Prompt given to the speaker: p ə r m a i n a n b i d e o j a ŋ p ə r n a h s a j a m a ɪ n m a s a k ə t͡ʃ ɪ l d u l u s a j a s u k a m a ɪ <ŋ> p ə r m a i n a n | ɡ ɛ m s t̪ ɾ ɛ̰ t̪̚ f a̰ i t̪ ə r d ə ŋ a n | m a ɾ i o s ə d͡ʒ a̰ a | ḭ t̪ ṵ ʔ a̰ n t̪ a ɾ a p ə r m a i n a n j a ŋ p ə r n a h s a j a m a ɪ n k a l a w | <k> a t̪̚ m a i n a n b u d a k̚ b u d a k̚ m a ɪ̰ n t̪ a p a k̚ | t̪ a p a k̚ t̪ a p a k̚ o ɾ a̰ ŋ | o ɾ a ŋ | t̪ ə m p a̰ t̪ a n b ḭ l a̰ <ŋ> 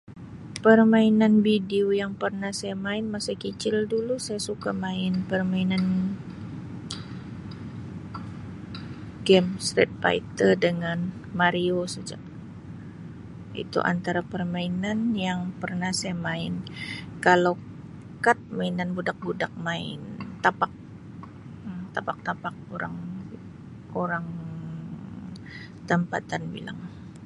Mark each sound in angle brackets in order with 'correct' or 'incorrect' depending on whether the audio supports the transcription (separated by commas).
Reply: incorrect, correct, correct